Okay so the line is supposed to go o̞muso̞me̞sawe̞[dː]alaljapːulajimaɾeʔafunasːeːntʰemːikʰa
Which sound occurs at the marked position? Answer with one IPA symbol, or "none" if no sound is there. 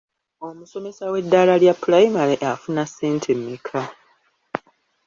dː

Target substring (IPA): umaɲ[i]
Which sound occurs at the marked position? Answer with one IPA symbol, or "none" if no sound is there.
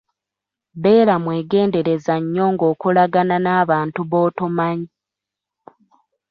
i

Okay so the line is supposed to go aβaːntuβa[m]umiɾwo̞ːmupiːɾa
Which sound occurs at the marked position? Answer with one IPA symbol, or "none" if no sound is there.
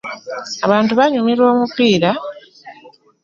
ɲ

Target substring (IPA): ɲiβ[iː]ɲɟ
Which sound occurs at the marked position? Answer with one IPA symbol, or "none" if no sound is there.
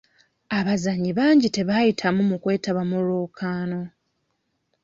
aː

